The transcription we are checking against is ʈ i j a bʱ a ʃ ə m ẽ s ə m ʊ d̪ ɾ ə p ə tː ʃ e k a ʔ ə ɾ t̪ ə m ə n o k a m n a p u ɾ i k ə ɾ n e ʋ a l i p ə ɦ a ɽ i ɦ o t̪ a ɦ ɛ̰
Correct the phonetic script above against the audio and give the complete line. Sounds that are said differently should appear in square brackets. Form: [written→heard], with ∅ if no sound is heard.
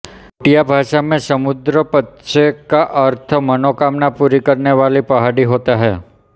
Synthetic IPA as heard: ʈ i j a bʱ a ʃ [ə→a] m ẽ s ə m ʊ d̪ ɾ ə p ə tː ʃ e k a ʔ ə ɾ [t̪→t̪ʰ] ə m ə n o k a m n a p u ɾ i k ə ɾ n e ʋ a l i p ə ɦ a ɽ i ɦ o t̪ a ɦ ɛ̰